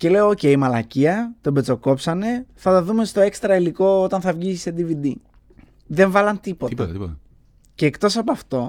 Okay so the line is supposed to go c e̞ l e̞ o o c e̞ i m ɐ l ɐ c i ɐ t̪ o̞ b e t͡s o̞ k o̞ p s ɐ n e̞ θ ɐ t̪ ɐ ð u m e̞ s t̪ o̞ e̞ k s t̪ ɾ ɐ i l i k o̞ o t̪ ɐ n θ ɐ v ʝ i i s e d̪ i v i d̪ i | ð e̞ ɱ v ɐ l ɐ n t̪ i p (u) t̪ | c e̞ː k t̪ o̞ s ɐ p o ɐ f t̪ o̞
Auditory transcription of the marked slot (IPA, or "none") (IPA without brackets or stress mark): o